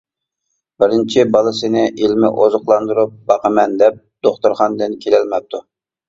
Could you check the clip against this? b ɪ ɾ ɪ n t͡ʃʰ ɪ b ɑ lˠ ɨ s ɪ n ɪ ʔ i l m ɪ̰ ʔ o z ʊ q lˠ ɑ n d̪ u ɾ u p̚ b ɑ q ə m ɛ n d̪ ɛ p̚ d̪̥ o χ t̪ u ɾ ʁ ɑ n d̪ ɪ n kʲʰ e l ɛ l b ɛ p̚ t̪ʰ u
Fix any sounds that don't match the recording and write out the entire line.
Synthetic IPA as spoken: b ɪ ɾ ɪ n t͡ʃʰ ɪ b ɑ lˠ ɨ s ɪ n ɪ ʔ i l m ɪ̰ ʔ o z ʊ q lˠ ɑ n d̪ u ɾ u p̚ b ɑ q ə m ɛ n d̪ ɛ p̚ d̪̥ o χ t̪ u ɾ χ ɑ n d̪ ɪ n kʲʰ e l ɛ l m ɛ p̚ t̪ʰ u